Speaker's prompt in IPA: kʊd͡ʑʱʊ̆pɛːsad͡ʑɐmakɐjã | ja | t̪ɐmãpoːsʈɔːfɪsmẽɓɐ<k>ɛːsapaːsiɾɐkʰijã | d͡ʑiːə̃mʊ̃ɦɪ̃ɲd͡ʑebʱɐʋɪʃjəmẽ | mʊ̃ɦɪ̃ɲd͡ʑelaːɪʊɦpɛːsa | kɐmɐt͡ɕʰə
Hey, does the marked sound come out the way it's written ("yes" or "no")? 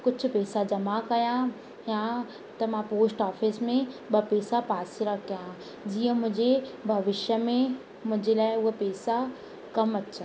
no